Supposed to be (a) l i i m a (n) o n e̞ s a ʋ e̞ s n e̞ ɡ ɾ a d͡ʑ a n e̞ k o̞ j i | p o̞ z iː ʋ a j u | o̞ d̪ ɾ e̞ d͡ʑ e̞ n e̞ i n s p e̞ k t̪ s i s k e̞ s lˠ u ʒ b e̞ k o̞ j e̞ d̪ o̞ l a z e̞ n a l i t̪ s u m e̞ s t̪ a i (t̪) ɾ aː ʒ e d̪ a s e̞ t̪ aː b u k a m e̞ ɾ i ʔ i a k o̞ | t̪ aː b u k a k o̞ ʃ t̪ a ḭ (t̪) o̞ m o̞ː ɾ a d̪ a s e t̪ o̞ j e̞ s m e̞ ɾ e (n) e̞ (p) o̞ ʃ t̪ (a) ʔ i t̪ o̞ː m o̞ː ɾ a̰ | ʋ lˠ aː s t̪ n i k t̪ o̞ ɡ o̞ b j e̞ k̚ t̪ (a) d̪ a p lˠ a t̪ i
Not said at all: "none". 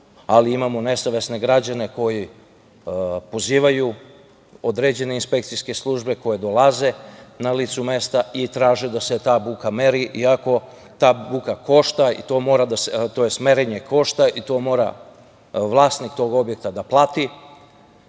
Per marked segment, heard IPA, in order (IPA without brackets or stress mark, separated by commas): a, m, t̪, t̪, ɲ, k, a, a